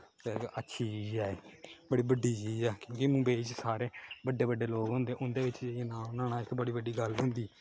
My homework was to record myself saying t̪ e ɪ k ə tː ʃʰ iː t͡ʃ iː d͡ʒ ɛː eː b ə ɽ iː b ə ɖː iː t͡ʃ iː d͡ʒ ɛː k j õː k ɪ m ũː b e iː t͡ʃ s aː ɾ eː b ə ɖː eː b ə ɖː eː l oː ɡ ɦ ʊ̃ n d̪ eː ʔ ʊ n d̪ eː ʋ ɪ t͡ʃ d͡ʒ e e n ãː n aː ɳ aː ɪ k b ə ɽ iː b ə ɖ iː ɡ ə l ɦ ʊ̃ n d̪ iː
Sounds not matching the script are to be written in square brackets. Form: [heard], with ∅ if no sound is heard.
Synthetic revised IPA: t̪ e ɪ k ə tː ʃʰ iː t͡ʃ iː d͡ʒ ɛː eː b ə ɽ iː b ə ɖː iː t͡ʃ iː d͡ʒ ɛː k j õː k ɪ m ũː b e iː t͡ʃ s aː ɾ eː b ə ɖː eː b ə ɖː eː l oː ɡ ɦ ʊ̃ n d̪ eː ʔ ʊ n d̪ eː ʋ ɪ t͡ʃ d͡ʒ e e n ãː n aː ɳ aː ɪ k b ə ɽ iː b ə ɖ iː ɡ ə l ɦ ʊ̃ n d̪ iː